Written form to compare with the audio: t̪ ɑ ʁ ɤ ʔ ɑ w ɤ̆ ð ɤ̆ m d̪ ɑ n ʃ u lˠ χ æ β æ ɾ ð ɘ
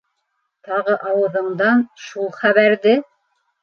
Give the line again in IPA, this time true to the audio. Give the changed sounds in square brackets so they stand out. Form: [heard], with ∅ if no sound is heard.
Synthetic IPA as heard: t̪ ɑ ʁ ɤ ʔ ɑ w ɤ̆ ð ɤ̆ [ɴ] d̪ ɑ n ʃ u lˠ χ æ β æ ɾ ð ɘ